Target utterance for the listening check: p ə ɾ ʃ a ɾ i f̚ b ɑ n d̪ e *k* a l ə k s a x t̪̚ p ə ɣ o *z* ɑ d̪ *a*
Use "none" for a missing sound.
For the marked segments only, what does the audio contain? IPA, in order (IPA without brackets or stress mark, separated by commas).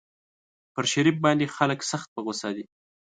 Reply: x, s, i